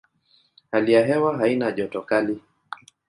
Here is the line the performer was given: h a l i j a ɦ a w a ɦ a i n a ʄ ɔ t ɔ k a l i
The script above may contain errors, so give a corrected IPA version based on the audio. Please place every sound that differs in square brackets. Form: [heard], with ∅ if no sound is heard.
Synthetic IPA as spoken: h a l i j a ɦ [ɛ] w a ɦ a i n a ʄ ɔ t ɔ k a l i